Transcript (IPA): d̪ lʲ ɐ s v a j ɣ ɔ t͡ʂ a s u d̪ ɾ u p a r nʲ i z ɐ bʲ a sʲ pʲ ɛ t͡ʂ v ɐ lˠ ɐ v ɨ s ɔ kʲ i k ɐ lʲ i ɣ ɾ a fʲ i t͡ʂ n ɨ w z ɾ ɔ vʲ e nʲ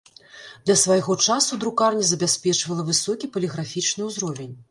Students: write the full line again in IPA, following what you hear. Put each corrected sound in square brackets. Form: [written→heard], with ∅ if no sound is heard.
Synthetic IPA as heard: d̪ lʲ ɐ s v a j ɣ ɔ t͡ʂ a s u d̪ ɾ u [p→k] a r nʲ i z ɐ bʲ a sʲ pʲ ɛ t͡ʂ v ɐ lˠ ɐ v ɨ s ɔ kʲ i [k→p] ɐ lʲ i ɣ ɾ a fʲ i t͡ʂ n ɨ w z ɾ ɔ vʲ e nʲ